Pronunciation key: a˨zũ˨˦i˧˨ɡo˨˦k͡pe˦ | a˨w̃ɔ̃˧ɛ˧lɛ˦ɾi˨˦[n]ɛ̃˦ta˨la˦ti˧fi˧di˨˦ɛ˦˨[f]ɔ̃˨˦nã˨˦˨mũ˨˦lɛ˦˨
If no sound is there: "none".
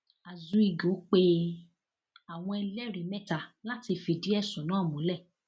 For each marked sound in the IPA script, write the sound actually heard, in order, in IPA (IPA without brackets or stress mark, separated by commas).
m, s